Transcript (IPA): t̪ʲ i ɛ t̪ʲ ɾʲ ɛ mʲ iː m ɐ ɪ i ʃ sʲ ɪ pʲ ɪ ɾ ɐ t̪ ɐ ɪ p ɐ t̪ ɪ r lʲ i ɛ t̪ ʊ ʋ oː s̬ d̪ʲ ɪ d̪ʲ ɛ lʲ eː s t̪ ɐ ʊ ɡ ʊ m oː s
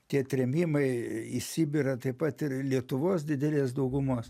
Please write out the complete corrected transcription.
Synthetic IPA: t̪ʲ i ɛ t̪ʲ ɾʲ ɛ mʲ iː m ɐ ɪ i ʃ sʲ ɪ bʲ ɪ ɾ ɐ t̪ ɐ ɪ p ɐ t̪ ɪ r lʲ i ɛ t̪ ʊ ʋ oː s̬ d̪ʲ ɪ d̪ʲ ɛ lʲ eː s d̪ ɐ ʊ ɡ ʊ m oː s